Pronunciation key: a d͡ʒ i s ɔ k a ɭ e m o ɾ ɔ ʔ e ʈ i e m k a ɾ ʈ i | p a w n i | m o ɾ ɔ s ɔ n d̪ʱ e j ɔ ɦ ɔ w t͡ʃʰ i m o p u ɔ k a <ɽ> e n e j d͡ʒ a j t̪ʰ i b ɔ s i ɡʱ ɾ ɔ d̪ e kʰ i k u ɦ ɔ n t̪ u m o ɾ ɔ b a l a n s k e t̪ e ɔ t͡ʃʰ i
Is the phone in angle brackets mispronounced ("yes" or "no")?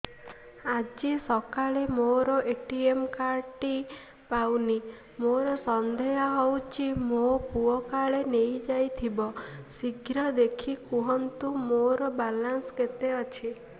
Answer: yes